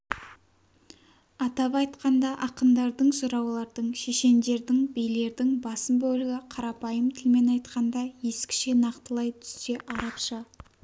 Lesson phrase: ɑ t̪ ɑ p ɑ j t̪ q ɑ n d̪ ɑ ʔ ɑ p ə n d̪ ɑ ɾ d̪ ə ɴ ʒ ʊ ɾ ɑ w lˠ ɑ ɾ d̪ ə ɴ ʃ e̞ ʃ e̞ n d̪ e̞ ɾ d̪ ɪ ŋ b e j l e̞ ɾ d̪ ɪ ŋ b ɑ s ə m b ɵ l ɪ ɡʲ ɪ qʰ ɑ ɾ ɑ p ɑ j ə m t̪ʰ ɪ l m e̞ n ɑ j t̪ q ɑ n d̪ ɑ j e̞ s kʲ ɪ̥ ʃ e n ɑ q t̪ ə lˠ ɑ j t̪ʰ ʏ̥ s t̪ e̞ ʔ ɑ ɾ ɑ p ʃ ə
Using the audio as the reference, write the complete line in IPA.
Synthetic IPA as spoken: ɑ t̪ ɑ p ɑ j t̪ q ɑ n d̪ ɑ ʔ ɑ q ə n d̪ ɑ ɾ d̪ ə ɴ ʒ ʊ ɾ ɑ w lˠ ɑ ɾ d̪ ə ɴ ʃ e̞ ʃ e̞ n d̪ e̞ ɾ d̪ ɪ ŋ b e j l e̞ ɾ d̪ ɪ ŋ b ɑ s ə m b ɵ l ɪ ɡʲ ɪ qʰ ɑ ɾ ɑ p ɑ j ə m t̪ʰ ɪ l m e̞ n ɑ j t̪ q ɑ n d̪ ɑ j e̞ s kʲ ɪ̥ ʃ e n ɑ q t̪ ə lˠ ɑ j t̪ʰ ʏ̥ s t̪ e̞ ʔ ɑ ɾ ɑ p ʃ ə